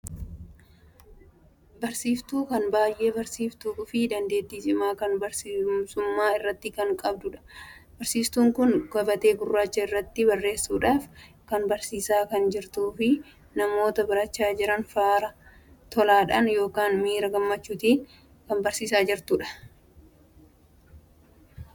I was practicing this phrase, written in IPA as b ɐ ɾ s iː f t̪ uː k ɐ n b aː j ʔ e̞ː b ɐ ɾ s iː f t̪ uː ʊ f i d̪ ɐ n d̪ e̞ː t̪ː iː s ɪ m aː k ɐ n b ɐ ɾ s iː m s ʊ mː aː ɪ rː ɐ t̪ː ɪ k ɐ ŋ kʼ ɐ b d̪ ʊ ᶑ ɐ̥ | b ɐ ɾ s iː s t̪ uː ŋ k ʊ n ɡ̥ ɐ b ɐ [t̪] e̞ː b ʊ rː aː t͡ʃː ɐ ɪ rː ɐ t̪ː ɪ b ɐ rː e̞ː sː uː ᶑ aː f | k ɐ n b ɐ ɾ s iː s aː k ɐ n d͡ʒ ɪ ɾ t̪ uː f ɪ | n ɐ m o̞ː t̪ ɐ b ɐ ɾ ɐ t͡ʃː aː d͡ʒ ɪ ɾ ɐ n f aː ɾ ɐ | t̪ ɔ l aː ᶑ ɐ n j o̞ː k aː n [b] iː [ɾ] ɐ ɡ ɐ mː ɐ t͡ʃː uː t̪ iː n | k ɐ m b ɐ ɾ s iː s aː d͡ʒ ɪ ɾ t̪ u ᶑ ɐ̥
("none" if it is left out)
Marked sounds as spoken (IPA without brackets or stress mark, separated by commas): t̪, m, ɾ